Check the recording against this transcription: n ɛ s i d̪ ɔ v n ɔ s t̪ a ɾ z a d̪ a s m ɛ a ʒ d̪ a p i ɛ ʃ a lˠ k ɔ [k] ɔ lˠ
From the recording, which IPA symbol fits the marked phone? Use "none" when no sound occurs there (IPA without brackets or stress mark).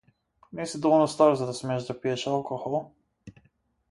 x